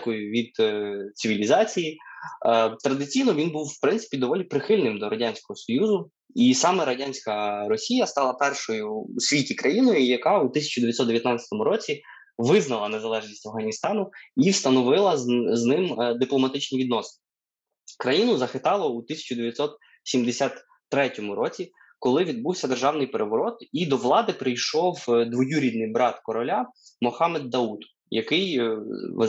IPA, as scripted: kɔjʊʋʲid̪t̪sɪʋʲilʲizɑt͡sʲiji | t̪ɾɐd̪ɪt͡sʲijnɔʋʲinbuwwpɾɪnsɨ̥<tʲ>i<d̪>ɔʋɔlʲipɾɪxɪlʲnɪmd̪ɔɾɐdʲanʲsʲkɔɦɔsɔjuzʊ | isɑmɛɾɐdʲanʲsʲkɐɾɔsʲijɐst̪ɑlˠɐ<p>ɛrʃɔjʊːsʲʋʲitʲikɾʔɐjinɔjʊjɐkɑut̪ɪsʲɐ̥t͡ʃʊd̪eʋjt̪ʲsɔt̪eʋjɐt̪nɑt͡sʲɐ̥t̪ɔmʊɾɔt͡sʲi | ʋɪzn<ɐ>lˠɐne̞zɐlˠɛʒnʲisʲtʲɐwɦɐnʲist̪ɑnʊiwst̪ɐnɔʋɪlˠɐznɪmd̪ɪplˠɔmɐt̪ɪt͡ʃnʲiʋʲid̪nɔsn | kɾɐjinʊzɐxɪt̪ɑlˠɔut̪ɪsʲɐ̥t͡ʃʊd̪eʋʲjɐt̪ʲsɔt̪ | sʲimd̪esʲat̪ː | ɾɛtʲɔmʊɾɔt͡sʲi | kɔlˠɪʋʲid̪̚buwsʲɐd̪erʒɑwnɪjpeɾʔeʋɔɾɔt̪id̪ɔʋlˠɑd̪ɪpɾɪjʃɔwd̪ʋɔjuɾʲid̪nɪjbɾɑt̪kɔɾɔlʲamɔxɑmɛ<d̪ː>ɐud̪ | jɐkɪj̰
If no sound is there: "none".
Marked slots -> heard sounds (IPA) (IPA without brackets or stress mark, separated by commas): pʲ, d̪, p, ɐ, d̪ː